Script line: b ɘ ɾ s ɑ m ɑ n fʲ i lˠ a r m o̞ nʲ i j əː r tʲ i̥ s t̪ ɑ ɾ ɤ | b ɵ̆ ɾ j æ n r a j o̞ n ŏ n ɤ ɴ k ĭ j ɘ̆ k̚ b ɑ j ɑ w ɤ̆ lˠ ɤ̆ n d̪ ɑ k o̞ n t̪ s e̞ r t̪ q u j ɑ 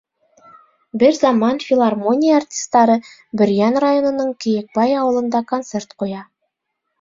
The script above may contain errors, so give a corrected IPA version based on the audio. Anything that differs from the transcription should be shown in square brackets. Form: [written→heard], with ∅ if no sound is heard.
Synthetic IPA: b ɘ ɾ [s→z] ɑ m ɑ n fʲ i lˠ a r m o̞ nʲ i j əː r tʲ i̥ s t̪ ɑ ɾ ɤ | b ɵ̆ ɾ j æ n r a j o̞ n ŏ n ɤ ɴ k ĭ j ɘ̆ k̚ b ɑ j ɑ w ɤ̆ lˠ ɤ̆ n d̪ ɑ k o̞ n t̪ s e̞ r t̪ q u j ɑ